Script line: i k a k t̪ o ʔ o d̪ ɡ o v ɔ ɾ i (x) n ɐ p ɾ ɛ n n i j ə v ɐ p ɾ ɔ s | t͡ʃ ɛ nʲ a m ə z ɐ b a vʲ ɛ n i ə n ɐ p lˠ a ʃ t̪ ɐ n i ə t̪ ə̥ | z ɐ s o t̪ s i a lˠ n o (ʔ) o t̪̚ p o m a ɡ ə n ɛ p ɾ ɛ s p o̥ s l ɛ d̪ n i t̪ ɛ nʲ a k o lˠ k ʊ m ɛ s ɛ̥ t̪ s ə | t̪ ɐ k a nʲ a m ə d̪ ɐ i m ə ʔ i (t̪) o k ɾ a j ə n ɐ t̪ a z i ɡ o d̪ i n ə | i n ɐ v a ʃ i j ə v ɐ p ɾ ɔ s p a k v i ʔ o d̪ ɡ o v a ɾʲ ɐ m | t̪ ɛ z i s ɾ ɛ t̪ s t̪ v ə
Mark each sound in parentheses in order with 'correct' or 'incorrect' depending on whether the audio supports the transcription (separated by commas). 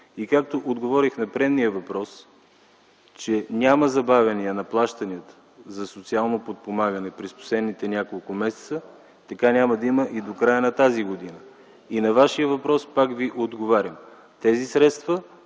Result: correct, incorrect, incorrect